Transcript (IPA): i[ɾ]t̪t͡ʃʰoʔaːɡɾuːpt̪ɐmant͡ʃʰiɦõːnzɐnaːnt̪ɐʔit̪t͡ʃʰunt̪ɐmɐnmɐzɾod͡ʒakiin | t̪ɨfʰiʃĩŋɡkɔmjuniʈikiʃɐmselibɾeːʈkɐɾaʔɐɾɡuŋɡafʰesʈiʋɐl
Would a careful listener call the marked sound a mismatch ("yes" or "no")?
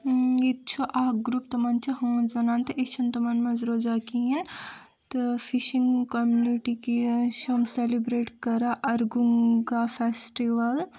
yes